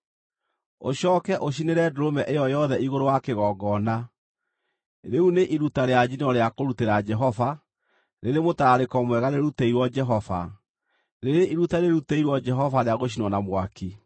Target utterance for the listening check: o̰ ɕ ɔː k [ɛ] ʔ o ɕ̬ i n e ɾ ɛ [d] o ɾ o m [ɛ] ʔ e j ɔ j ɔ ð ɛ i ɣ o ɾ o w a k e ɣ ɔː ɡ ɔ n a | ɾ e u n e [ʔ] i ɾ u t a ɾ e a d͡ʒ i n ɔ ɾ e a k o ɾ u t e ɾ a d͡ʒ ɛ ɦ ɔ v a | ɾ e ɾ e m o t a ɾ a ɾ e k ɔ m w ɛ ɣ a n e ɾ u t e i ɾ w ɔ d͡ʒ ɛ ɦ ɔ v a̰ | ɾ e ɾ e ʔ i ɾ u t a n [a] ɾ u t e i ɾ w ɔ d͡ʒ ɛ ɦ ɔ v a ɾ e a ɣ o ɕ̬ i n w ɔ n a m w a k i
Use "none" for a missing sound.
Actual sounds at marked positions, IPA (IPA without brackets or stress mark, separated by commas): ɛ, d, ɛ, ʔ, e